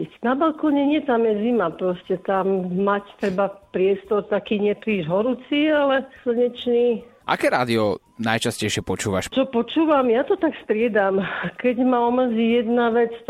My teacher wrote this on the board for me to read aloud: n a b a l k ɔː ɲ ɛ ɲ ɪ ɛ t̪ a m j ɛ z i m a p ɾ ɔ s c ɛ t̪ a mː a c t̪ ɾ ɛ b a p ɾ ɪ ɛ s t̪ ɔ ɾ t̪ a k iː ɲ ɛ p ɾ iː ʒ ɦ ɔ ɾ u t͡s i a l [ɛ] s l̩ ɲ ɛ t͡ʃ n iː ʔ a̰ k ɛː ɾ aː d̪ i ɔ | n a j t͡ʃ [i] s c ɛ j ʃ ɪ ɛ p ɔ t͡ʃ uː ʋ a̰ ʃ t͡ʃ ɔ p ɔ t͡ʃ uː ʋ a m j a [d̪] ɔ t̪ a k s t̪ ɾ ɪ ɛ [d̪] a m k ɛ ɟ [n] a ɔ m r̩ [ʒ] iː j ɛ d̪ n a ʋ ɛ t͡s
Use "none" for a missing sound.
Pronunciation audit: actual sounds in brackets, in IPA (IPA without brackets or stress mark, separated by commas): ɛ, a, t̪, d̪, m, z